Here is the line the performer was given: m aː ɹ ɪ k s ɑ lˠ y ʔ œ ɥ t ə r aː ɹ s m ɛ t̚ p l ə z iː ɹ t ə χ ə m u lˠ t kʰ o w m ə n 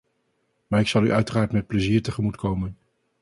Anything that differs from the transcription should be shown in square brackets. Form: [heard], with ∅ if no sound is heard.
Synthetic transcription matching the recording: m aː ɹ ɪ k s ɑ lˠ y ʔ œ ɥ t ə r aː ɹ [t] m ɛ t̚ p l ə z iː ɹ t ə χ ə m u [∅] t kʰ o w m ə n